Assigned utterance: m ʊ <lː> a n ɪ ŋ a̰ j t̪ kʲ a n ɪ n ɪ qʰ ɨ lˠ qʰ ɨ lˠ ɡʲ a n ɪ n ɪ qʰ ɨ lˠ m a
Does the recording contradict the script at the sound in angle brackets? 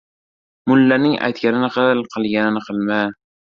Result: no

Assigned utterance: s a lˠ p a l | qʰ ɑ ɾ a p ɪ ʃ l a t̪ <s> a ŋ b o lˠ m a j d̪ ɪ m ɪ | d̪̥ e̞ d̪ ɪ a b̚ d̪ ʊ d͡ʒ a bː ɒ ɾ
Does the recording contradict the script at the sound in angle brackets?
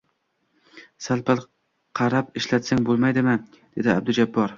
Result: no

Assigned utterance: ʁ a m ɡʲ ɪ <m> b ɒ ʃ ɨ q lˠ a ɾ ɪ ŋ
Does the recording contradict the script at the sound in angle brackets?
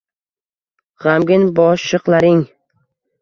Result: yes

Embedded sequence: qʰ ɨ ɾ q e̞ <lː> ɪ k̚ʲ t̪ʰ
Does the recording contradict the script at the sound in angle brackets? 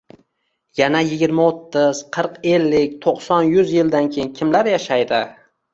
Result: no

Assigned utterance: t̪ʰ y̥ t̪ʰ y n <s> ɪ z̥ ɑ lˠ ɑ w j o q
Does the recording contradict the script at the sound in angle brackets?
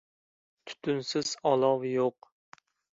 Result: no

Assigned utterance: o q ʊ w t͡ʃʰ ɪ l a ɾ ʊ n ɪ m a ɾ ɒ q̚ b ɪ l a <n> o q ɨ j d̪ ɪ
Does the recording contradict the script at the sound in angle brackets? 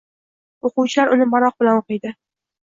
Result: no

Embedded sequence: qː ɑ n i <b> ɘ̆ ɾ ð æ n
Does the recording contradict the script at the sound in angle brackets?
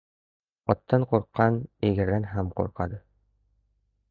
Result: yes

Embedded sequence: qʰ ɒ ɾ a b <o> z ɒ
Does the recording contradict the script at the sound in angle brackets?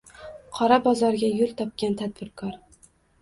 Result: yes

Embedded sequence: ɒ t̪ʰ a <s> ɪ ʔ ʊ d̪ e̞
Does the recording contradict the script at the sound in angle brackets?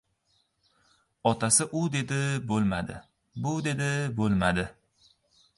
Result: no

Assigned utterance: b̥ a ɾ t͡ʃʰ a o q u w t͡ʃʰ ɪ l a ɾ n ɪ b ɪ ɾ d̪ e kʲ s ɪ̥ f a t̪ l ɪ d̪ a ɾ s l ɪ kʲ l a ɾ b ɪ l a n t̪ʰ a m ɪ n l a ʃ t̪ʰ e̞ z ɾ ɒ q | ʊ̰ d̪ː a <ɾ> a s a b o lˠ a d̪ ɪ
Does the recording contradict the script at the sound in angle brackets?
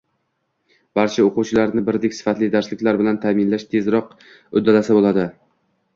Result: yes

